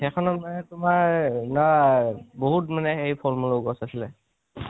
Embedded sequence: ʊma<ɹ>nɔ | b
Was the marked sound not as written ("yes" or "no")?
no